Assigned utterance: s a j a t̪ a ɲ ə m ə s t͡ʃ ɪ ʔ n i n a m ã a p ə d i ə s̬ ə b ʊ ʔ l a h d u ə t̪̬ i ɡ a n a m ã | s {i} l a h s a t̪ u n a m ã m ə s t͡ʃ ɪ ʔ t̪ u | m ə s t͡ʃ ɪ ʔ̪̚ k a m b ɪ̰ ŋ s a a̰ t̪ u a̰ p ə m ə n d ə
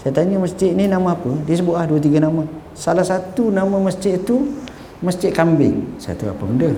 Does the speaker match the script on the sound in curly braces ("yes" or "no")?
no